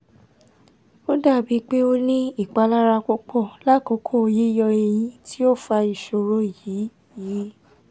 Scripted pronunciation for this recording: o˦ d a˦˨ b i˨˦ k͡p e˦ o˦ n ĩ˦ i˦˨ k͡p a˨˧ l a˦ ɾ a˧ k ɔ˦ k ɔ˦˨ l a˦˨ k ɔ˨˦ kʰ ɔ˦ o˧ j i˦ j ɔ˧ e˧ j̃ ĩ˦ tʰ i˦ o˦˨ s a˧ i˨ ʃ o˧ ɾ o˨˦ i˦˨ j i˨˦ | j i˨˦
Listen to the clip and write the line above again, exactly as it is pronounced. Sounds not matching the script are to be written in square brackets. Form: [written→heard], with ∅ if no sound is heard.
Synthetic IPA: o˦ d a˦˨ b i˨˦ k͡p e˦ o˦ n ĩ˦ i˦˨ k͡p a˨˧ l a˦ ɾ a˧ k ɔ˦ [k→k͡p] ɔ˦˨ l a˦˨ k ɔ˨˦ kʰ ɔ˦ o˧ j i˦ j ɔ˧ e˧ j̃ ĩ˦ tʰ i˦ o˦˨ [s→f] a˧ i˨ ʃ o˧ ɾ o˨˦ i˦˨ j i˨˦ | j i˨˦